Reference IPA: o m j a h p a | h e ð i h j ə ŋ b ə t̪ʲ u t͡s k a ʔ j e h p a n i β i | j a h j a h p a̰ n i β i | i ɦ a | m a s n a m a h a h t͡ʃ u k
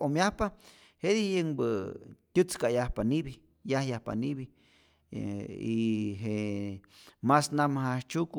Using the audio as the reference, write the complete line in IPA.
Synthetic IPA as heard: o m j a h p a | h e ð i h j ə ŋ b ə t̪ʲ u t͡s k a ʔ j a h p a n i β i | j a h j a h p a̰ n i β i | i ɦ e | m a s n a m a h a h t͡ʃ u k